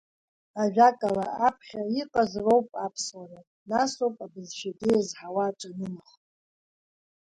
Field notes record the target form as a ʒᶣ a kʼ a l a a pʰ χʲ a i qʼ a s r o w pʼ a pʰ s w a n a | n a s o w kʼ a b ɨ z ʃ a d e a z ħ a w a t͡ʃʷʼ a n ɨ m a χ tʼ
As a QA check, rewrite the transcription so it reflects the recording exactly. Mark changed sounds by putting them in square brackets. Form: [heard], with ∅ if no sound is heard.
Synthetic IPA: a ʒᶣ a kʼ a l a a pʰ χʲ a i qʼ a [z] r o w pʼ a pʰ s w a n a | n a s o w [pʼ] a b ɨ z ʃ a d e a z ħ a w a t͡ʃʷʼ a n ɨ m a χ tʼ